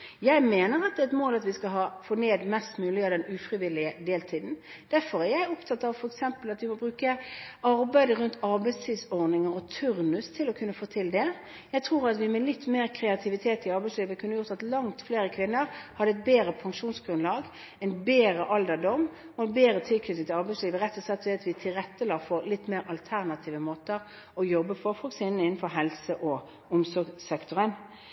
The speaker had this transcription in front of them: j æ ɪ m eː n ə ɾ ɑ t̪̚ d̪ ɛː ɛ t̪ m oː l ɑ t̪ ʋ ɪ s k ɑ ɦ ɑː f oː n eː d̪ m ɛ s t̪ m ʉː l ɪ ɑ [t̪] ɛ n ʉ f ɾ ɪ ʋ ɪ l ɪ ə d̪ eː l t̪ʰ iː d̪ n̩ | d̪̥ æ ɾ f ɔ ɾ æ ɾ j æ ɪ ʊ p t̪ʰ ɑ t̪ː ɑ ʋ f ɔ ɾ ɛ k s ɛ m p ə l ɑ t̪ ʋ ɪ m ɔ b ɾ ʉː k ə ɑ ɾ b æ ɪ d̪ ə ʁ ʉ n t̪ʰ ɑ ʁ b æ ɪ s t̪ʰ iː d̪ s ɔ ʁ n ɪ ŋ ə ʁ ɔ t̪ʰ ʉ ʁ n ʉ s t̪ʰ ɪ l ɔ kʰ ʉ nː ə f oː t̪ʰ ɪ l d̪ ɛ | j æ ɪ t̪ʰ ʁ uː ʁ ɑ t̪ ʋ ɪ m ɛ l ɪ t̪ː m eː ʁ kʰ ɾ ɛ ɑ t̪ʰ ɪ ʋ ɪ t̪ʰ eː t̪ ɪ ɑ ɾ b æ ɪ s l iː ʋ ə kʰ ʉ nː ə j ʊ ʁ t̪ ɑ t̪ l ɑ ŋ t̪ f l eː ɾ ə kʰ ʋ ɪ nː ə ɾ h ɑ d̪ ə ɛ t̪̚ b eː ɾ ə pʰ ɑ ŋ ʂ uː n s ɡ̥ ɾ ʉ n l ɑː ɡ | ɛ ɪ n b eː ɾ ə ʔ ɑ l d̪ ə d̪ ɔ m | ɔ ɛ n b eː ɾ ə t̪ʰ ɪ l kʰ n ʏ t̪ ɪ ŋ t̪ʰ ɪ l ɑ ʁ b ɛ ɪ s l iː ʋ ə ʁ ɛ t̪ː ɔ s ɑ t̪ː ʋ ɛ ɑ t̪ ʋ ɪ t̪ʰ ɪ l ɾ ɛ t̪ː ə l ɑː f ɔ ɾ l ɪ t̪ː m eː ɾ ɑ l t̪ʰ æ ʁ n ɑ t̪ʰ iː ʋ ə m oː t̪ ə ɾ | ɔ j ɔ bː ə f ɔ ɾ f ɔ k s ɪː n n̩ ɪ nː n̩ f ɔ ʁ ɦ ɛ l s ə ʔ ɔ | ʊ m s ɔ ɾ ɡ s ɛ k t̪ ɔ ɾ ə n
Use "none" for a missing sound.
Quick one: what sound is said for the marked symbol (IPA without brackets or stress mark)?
d̪